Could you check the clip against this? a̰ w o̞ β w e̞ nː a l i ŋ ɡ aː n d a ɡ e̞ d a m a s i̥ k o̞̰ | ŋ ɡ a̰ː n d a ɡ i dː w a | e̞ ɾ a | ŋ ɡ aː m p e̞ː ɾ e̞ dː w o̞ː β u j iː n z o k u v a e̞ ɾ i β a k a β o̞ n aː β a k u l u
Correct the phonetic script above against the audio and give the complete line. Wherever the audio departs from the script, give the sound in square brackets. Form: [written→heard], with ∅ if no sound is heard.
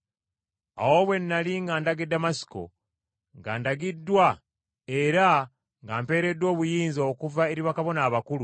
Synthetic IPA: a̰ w o̞ β w e̞ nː a l i ŋ ɡ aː n d a ɡ e̞ d a m a s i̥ k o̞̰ | ŋ ɡ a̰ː n d a ɡ i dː w a | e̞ ɾ a | ŋ ɡ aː m p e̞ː ɾ e̞ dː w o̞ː β u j iː n z o k u v a e̞ ɾ i β a k a β o̞ n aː β a k u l u